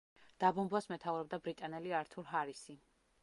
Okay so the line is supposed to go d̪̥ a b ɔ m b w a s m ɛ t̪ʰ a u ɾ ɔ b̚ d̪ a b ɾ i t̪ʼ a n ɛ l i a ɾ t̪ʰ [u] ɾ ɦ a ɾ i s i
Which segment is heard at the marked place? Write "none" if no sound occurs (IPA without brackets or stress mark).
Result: u